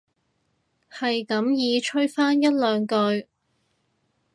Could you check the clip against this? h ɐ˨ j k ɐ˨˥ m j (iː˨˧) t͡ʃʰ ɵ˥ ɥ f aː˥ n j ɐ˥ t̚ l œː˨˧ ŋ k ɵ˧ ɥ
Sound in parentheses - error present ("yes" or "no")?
no